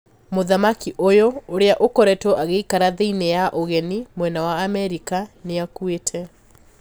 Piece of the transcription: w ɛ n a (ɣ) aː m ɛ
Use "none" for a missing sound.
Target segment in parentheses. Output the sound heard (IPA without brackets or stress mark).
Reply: w